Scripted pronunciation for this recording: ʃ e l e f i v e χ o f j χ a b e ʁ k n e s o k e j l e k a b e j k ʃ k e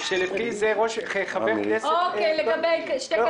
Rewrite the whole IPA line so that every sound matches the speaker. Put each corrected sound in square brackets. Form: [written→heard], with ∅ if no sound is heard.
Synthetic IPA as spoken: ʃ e l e f i [v→z] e [χ→ʁ] o [f→ʃ] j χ a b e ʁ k n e s o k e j l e [k→ɡ] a b e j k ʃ [k→t] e